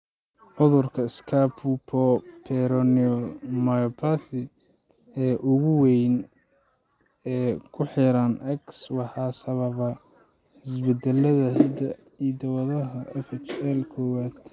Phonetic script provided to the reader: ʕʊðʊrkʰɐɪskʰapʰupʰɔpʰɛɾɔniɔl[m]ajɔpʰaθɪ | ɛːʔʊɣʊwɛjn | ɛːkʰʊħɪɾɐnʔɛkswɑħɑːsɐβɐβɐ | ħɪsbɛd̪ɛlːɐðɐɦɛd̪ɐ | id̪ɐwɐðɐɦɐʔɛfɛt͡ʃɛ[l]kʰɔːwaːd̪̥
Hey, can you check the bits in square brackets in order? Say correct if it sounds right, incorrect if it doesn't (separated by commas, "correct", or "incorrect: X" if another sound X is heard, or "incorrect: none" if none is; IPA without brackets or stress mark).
correct, correct